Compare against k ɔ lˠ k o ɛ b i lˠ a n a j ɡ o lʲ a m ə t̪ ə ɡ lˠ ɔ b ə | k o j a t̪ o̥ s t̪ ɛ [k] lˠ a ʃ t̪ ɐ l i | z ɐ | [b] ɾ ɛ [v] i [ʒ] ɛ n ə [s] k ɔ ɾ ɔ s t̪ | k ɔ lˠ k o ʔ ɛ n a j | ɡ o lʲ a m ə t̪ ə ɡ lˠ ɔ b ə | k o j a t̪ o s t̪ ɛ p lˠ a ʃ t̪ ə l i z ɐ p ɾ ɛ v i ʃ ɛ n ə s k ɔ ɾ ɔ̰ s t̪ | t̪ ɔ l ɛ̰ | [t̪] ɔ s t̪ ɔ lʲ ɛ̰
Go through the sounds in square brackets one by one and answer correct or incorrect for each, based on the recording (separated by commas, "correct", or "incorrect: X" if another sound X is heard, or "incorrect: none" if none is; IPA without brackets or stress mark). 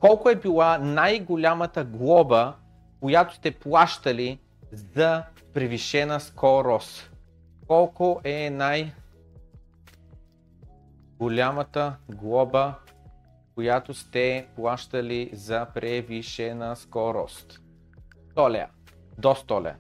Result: incorrect: p, incorrect: p, correct, incorrect: ʃ, correct, incorrect: d̪